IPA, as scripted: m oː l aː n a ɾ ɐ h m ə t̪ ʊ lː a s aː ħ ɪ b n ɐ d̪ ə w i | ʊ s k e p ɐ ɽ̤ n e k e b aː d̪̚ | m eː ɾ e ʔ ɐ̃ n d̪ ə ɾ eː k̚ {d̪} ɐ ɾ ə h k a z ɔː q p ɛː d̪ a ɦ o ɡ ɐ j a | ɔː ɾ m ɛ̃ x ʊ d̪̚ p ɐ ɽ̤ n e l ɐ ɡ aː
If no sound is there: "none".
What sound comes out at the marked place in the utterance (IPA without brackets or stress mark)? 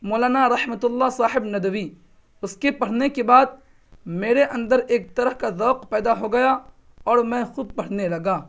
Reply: t̪